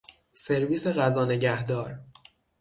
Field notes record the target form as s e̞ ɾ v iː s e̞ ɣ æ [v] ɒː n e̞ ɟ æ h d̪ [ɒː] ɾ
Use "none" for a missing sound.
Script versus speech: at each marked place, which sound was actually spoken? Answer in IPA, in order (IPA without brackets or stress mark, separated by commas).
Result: z, ɒː